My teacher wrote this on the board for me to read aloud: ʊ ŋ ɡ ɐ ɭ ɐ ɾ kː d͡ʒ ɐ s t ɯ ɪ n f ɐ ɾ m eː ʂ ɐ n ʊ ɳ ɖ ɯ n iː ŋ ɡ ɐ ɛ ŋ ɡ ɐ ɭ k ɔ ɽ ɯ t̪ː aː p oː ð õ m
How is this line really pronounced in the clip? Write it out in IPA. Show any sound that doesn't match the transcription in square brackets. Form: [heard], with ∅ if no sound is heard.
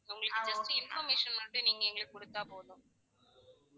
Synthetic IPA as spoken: ʊ ŋ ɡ ɐ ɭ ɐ [ɭ] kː d͡ʒ ɐ s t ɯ ɪ n f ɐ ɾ m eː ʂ ɐ n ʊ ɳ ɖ ɯ n iː ŋ ɡ ɐ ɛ ŋ ɡ ɐ ɭ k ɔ ɽ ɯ t̪ː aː p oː ð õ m